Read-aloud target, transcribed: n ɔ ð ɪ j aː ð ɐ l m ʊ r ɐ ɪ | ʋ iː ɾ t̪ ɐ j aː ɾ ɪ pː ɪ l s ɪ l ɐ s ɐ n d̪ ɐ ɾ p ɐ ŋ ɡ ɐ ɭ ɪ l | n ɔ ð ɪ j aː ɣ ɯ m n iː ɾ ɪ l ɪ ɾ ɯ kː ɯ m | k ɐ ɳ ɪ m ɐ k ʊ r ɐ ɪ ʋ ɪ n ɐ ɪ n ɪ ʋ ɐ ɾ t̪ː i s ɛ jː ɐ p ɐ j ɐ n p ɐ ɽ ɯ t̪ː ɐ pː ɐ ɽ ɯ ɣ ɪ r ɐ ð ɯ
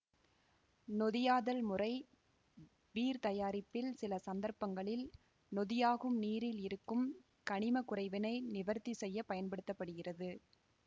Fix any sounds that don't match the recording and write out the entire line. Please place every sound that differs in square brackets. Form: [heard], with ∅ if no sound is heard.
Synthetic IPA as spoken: n ɔ ð ɪ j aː ð ɐ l m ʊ r ɐ ɪ | ʋ iː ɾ t̪ ɐ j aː ɾ ɪ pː ɪ l s ɪ l ɐ s ɐ n d̪ ɐ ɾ p ɐ ŋ ɡ ɐ ɭ ɪ l | n ɔ ð ɪ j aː ɣ ɯ m n iː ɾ ɪ l ɪ ɾ ɯ kː ɯ m | k ɐ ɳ ɪ m ɐ k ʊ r ɐ ɪ ʋ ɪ n ɐ ɪ n ɪ ʋ ɐ ɾ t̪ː i s ɛ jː ɐ p ɐ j ɐ n p ɐ ɽ ɯ t̪ː ɐ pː ɐ ɽ ɯ ɣ ɪ r ɐ ð ɯ